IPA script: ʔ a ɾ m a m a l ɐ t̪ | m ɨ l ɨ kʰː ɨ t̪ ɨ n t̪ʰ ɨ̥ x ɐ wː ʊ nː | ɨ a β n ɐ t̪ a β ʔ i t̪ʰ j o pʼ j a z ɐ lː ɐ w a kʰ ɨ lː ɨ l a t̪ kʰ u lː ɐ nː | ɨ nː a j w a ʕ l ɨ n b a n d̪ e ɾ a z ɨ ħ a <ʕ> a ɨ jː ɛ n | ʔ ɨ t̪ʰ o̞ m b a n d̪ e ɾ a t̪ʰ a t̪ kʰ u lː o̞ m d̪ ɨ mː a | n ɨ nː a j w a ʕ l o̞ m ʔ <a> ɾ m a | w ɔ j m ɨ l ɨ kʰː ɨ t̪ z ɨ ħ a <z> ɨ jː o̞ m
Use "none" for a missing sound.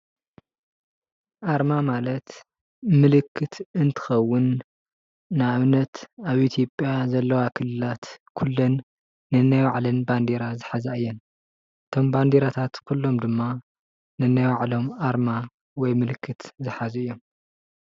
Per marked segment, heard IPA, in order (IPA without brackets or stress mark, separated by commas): z, a, z